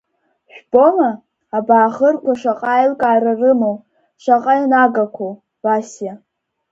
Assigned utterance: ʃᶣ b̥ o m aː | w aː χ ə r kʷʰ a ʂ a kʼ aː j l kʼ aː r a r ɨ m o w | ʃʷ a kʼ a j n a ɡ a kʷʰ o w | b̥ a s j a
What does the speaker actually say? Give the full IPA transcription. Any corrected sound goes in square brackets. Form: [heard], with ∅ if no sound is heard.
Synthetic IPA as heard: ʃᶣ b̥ o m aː | [b] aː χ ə r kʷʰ a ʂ a [qʼ] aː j l kʼ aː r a r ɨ m o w | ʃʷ a [qʼ] a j n a ɡ a kʷʰ o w | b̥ a s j a